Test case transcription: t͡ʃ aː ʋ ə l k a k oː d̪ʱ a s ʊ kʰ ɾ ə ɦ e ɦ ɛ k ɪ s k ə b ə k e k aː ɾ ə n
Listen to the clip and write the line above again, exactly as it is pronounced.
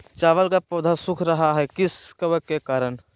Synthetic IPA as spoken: t͡ʃ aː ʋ ə l k a p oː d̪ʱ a s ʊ kʰ ɾ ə ɦ a ɦ ɛ k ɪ s k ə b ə k e k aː ɾ ə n